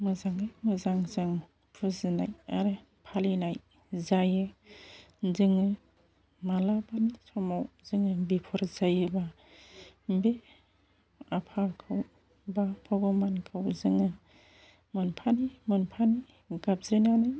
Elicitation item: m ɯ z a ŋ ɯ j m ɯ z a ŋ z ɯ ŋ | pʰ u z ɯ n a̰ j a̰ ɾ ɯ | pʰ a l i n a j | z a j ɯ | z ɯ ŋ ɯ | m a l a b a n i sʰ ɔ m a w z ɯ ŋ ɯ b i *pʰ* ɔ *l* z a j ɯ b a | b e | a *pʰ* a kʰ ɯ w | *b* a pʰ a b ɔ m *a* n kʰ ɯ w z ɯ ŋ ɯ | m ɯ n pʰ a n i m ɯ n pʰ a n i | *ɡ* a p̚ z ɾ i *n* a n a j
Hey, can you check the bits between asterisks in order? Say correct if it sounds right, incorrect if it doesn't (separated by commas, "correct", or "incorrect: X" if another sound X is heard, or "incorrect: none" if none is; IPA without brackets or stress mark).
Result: correct, incorrect: ɾ, correct, correct, correct, correct, correct